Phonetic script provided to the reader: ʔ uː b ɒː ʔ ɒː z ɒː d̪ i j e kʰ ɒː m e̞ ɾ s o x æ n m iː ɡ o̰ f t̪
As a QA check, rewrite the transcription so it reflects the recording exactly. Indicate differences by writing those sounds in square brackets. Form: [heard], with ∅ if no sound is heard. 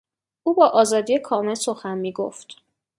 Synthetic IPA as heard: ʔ uː b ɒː ʔ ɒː z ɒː d̪ i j e kʰ ɒː m e̞ [l] s o x æ n m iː ɡ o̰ f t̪